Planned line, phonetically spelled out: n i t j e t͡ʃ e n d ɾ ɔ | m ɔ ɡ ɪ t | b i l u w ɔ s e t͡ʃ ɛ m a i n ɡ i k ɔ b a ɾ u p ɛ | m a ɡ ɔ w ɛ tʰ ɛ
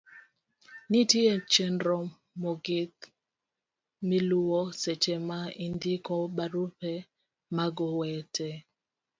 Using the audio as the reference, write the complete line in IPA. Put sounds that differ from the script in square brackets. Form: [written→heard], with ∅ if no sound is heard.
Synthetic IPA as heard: n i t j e t͡ʃ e n d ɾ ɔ | m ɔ ɡ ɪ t | [b→m] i l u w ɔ s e t͡ʃ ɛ m a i n [ɡ→d] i k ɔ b a ɾ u p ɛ | m a ɡ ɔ w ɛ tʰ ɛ